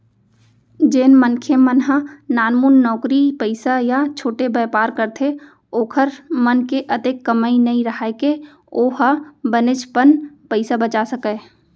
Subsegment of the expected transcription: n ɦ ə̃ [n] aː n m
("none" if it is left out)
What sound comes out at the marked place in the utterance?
n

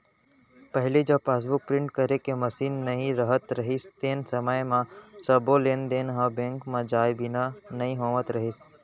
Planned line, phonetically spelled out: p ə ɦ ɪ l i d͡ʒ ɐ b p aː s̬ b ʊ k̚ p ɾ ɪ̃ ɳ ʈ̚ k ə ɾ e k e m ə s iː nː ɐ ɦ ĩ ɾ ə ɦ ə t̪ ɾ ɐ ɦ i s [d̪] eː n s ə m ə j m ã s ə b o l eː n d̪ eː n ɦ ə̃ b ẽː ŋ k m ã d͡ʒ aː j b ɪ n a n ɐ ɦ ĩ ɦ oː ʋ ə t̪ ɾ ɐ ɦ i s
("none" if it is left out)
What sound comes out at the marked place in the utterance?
t̪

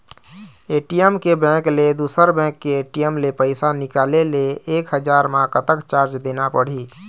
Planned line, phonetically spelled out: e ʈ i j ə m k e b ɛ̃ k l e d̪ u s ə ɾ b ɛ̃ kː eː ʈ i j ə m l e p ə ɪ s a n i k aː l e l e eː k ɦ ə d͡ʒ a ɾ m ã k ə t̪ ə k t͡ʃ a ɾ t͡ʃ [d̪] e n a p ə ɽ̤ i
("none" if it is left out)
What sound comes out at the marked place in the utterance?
d̪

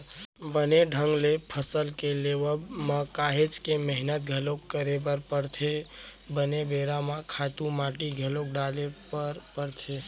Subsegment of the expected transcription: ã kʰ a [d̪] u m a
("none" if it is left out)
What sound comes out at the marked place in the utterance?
t̪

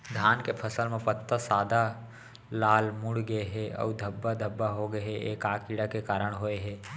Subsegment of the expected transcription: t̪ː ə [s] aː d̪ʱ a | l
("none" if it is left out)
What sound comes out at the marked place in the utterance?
s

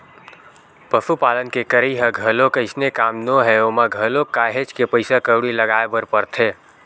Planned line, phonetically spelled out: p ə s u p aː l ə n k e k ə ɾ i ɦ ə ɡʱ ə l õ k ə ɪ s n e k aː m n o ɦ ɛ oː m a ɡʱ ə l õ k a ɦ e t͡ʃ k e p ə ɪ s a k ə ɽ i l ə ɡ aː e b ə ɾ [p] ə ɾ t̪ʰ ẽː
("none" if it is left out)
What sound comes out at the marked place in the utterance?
p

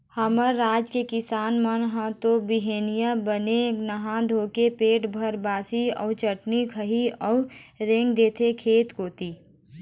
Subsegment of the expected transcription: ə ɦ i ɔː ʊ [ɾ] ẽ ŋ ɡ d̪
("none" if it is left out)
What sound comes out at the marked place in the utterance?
ɾ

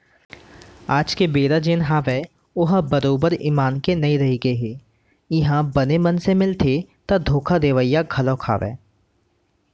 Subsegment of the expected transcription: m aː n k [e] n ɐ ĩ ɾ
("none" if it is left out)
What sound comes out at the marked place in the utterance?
e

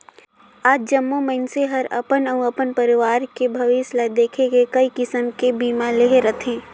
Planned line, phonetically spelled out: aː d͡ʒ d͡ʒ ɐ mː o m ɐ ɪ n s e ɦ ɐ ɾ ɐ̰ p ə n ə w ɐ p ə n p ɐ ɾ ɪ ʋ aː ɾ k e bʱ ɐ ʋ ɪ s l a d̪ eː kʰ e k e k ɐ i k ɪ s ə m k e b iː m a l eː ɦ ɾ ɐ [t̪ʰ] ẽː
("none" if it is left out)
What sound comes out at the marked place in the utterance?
t̪ʰ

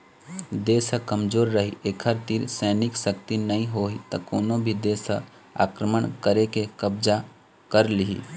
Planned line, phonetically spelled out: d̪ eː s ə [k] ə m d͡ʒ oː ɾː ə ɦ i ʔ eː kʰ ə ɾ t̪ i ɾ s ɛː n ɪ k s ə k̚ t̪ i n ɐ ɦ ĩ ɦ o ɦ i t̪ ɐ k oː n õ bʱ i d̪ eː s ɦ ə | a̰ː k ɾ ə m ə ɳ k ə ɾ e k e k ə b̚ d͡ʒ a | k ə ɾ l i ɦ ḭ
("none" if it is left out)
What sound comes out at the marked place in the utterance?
k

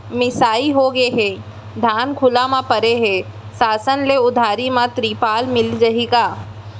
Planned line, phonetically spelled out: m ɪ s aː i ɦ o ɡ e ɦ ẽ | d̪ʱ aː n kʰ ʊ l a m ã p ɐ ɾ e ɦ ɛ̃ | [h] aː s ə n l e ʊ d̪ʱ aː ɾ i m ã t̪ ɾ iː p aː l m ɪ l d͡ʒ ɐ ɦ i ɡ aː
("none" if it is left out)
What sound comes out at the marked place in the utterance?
s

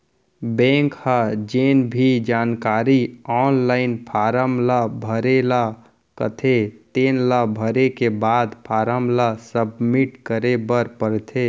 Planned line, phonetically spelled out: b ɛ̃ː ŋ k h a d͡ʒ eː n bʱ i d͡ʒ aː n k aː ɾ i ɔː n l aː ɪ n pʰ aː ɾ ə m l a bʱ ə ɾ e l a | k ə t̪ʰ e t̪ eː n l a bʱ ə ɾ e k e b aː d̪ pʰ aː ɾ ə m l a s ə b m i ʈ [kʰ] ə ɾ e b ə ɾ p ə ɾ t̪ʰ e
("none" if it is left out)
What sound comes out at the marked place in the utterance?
k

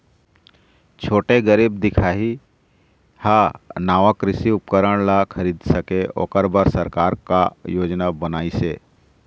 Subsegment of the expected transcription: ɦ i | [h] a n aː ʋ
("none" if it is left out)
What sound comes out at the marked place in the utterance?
h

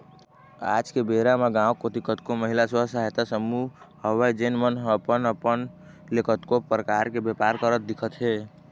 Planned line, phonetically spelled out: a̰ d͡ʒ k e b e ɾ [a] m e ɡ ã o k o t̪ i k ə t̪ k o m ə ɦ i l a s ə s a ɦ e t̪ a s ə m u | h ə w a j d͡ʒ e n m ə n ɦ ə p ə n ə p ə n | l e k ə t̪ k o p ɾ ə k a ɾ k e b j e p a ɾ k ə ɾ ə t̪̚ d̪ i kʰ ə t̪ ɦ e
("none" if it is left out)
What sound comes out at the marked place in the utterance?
a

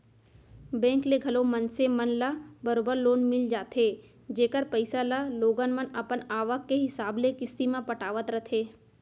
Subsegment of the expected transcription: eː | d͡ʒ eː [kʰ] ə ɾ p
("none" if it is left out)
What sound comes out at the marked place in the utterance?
k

